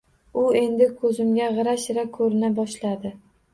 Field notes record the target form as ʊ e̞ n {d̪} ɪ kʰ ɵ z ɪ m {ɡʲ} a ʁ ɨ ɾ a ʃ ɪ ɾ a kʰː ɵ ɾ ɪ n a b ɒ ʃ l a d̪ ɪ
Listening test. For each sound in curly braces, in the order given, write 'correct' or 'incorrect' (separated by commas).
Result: correct, correct